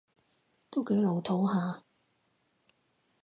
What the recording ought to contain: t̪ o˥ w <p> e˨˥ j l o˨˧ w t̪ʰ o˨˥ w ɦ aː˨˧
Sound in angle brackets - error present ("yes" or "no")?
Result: yes